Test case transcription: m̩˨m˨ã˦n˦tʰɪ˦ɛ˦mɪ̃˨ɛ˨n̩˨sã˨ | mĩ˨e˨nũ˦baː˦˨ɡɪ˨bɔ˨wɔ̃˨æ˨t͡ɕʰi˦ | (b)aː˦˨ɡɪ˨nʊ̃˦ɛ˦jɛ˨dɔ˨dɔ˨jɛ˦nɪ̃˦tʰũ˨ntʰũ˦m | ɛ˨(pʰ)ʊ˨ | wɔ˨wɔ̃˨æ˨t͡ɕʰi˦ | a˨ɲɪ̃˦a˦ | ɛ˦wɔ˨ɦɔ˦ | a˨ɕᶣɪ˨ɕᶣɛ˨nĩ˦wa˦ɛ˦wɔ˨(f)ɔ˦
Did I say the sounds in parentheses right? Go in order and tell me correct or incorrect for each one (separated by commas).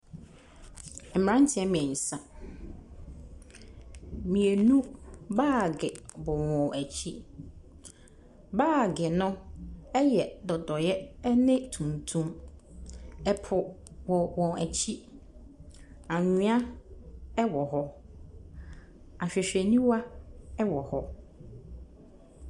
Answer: correct, correct, incorrect